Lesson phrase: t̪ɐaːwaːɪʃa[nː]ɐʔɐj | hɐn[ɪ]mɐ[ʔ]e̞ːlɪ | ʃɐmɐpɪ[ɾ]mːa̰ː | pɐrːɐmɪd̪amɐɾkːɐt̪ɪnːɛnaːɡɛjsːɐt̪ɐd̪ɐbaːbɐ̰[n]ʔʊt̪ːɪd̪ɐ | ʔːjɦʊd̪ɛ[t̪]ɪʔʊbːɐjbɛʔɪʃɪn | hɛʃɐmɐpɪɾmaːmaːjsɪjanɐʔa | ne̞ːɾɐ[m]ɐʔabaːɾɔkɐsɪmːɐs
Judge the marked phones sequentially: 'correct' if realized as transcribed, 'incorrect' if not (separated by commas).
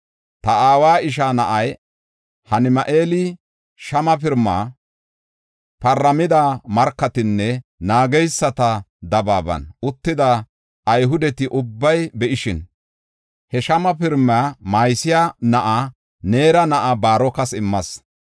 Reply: incorrect, correct, correct, correct, correct, correct, incorrect